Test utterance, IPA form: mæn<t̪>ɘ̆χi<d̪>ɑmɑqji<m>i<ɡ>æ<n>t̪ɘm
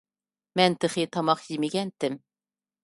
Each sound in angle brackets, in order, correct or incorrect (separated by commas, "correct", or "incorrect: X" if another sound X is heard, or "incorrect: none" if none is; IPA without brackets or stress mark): correct, incorrect: t̪, correct, correct, correct